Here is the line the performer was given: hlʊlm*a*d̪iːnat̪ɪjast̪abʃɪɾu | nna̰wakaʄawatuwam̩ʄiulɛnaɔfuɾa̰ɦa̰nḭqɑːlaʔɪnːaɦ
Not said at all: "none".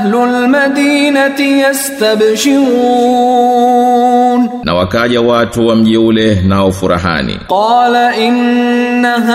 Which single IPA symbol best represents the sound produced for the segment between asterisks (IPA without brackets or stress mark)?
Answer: a